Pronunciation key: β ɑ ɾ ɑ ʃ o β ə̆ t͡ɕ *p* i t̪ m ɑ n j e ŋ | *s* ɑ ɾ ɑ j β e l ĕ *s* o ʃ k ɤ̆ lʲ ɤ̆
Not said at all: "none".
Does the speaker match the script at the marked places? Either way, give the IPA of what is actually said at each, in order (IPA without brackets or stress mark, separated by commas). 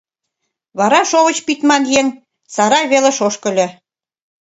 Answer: p, s, ʃ